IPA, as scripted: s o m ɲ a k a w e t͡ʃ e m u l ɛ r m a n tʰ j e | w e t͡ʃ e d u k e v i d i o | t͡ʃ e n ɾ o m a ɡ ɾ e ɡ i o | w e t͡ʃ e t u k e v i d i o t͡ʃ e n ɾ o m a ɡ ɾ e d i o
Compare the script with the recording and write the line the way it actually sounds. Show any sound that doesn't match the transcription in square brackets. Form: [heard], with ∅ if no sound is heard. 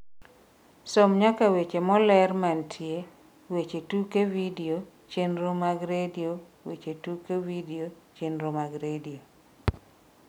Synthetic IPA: s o m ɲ a k a w e t͡ʃ e m [ɔ] l ɛ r m a n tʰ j e | w e t͡ʃ e [t] u k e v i d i o | t͡ʃ e n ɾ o m a ɡ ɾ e [d] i o | w e t͡ʃ e t u k e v i d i o t͡ʃ e n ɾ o m a ɡ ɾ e d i o